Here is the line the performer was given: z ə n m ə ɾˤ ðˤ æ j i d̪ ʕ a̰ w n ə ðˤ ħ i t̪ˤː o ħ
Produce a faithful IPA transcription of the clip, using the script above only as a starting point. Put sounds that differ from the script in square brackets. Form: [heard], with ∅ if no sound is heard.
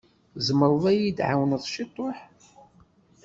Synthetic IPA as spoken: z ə [∅] m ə ɾˤ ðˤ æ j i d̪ ʕ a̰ w n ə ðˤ [ʃ] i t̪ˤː o ħ